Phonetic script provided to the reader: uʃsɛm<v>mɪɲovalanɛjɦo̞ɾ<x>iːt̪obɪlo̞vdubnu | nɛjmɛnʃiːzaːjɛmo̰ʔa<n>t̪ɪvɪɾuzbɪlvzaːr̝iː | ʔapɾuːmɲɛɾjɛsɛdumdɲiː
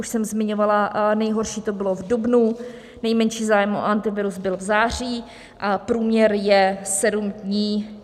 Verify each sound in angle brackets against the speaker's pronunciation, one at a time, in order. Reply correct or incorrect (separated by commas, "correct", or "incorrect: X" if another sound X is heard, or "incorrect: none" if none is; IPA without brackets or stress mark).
incorrect: z, incorrect: ʃ, correct